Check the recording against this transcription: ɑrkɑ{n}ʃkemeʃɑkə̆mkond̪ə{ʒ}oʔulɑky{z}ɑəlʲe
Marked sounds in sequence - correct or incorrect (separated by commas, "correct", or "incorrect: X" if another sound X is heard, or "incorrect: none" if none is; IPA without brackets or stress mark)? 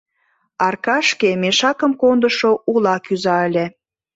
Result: incorrect: none, incorrect: ʃ, correct